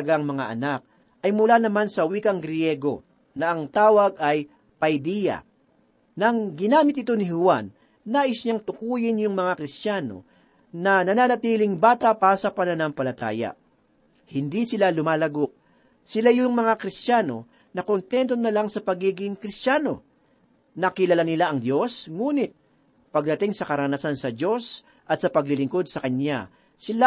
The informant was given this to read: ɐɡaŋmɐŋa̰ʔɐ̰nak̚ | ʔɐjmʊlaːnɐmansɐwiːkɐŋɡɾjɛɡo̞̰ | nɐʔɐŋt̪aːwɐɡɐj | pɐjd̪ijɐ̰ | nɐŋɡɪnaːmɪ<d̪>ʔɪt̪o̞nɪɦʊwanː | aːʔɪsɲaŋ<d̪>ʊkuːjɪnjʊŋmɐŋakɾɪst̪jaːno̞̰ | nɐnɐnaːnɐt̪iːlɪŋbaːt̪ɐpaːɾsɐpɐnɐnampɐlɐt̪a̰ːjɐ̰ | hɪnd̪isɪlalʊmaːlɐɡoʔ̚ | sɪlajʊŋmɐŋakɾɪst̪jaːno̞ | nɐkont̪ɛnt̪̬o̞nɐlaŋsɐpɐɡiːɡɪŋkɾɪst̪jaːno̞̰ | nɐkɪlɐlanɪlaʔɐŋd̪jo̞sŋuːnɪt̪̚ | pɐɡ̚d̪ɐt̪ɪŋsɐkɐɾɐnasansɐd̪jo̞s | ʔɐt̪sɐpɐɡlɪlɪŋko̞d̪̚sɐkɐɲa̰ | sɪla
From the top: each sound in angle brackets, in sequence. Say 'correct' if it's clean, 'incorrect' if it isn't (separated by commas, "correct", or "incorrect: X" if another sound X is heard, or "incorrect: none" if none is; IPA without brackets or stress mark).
incorrect: t̪, incorrect: t̪